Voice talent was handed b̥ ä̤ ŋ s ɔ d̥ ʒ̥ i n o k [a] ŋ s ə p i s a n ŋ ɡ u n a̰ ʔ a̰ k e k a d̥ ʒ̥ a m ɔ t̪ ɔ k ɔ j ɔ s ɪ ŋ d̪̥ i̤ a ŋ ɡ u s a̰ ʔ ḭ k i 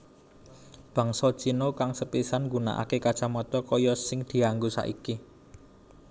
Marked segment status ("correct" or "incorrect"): correct